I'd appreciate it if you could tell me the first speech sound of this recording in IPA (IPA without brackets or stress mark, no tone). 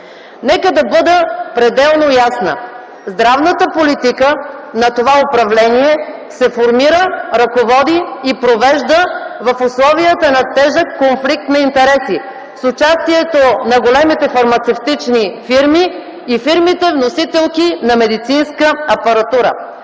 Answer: n